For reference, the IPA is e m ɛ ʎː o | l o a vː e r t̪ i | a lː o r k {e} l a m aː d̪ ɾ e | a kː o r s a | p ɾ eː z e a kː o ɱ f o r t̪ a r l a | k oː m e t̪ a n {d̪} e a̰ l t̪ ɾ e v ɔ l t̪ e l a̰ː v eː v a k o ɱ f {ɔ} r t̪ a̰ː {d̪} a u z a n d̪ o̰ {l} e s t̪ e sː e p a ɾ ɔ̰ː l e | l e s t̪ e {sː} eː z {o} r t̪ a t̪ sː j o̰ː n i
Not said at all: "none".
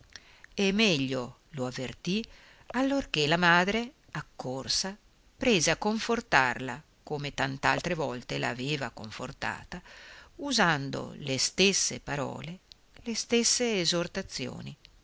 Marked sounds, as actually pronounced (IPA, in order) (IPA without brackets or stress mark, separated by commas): e, t̪, o, t̪, l, sː, o